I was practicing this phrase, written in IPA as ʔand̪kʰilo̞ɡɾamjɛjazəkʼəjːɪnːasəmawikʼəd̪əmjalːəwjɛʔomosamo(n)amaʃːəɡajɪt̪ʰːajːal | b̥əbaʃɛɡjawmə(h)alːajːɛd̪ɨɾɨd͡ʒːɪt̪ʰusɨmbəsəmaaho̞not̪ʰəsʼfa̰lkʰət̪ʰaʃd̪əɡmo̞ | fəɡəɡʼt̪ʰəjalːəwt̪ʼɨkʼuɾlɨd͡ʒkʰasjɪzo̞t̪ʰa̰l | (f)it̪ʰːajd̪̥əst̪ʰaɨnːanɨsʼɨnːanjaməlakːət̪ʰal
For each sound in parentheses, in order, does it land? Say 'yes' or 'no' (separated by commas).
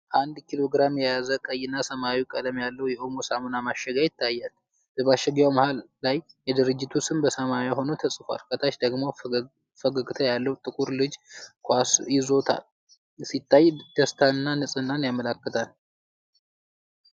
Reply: yes, yes, no